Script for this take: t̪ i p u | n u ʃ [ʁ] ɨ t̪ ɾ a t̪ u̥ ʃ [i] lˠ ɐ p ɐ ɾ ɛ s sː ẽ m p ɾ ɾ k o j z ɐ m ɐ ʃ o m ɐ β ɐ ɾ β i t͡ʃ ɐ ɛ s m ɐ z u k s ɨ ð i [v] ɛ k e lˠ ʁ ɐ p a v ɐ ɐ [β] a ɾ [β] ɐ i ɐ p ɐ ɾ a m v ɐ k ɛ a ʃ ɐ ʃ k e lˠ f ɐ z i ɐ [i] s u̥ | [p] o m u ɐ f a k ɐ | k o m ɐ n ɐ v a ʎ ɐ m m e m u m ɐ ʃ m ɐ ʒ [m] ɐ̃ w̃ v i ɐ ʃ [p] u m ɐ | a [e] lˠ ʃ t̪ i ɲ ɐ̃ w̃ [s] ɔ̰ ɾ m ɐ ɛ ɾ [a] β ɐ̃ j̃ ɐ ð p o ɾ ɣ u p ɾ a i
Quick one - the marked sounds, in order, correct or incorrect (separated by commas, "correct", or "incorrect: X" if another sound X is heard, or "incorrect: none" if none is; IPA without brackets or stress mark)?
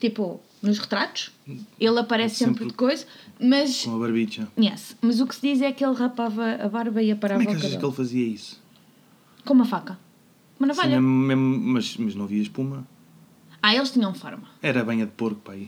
correct, incorrect: e, incorrect: z, correct, correct, correct, incorrect: k, incorrect: n, correct, correct, incorrect: f, incorrect: ɐ